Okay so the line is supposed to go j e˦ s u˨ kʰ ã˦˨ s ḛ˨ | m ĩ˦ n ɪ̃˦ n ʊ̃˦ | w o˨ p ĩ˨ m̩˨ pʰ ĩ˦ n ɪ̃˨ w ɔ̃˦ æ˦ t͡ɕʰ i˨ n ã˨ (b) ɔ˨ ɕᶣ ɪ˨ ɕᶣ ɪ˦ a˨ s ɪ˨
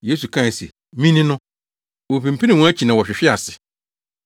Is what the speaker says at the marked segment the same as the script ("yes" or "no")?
no